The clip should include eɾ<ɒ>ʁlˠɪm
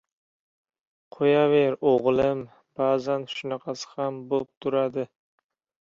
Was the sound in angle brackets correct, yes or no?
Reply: no